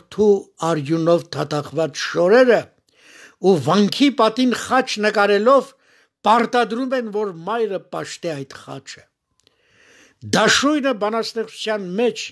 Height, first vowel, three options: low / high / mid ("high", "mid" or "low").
high